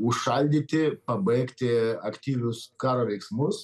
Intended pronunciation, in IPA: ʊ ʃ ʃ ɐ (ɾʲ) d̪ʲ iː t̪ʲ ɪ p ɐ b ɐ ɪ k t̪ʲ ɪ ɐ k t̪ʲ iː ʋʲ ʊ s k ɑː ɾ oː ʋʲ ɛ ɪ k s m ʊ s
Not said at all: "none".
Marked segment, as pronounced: lʲ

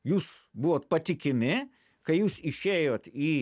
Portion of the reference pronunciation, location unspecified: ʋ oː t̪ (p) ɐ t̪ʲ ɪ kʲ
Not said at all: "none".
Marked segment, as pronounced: p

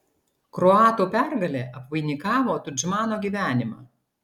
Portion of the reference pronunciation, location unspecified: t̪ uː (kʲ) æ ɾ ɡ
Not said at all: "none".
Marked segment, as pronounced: pʲ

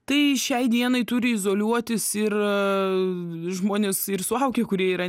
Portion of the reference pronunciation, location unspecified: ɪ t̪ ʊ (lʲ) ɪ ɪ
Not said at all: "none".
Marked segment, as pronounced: ɾʲ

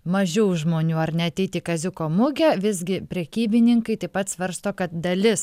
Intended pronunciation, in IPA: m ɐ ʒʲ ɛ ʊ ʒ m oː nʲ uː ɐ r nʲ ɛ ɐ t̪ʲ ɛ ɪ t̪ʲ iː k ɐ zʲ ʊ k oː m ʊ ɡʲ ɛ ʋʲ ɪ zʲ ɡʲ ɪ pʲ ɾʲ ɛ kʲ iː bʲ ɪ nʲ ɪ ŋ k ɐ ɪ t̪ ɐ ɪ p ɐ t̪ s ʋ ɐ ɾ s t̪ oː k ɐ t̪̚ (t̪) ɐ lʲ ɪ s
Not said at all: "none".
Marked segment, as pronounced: d̪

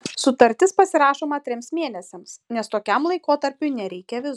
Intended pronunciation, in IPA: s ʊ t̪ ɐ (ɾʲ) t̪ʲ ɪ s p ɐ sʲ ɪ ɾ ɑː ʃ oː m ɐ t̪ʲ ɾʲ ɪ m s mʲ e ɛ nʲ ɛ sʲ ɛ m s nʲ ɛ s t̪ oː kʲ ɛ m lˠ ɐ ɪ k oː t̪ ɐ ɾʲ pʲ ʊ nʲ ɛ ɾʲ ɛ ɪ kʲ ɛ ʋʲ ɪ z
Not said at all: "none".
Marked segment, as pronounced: ɾʲ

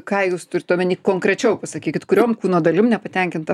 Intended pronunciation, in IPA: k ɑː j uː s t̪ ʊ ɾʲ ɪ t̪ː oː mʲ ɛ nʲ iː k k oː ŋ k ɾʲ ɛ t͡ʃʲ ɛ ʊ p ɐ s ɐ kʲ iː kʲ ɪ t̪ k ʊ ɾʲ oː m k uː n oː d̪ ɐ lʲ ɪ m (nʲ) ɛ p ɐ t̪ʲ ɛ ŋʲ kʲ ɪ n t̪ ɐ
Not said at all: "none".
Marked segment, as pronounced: nʲ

